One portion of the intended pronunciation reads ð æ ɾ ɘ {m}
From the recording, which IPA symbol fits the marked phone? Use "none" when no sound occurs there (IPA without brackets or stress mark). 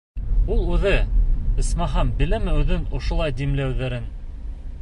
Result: n